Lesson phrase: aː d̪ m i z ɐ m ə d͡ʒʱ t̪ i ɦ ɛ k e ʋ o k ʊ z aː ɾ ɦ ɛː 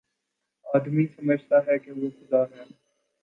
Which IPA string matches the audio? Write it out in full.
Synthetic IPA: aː d̪ m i s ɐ m ə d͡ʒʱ t̪ a ɦ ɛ k e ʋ o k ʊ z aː ɾ ɦ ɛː